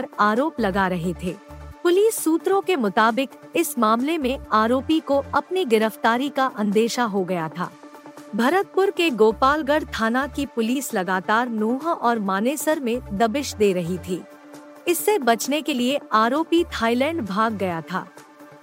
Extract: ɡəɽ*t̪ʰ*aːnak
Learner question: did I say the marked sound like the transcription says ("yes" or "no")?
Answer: yes